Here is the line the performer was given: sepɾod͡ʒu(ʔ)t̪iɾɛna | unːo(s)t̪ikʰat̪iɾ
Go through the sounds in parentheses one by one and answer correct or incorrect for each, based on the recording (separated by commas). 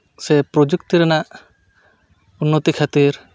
incorrect, incorrect